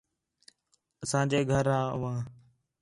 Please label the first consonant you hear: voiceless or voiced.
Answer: voiceless